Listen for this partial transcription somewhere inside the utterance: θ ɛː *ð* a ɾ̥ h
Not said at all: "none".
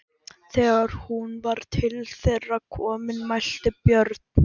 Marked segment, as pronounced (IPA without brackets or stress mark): ɣ